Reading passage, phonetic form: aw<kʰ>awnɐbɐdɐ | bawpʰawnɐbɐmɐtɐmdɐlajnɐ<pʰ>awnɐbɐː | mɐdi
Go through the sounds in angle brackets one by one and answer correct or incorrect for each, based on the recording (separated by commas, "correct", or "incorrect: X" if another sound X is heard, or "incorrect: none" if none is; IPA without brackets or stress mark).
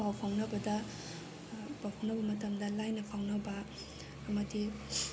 incorrect: pʰ, correct